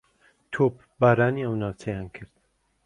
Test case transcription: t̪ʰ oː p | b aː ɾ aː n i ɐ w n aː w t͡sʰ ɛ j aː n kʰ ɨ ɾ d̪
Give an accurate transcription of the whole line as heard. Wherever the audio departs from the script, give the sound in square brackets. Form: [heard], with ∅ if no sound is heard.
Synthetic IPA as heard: t̪ʰ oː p | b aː ɾ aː n i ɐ w n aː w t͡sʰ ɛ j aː n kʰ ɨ ɾ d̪